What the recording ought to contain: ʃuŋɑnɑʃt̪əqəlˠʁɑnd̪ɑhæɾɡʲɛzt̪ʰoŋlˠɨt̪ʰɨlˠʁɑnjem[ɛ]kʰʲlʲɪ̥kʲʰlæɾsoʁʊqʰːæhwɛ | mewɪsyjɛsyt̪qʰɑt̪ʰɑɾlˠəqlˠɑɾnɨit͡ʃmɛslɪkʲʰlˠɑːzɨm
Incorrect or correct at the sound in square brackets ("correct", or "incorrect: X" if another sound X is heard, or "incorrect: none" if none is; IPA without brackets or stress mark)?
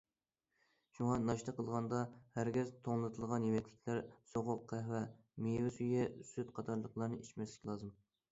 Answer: correct